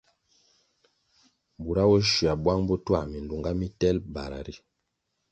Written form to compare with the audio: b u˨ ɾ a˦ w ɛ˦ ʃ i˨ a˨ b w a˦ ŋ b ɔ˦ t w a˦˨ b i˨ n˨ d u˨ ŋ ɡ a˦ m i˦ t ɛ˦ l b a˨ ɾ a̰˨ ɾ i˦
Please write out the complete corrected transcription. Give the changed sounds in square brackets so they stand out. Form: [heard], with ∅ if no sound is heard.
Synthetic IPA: b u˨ ɾ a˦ w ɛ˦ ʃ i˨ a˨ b w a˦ ŋ b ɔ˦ t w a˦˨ [m] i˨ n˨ d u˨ ŋ ɡ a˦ m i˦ t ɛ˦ l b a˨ ɾ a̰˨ ɾ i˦